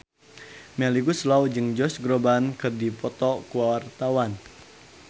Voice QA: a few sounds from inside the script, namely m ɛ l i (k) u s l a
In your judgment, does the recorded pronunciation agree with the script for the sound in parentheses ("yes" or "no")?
no